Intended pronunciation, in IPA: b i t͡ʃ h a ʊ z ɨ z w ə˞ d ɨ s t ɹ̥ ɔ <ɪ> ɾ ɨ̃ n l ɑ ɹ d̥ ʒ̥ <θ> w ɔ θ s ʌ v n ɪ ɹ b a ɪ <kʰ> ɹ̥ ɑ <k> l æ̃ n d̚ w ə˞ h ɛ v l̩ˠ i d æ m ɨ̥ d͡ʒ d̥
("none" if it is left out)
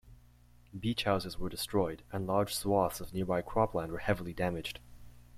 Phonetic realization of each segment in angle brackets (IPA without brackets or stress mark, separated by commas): ɪ, s, kʰ, p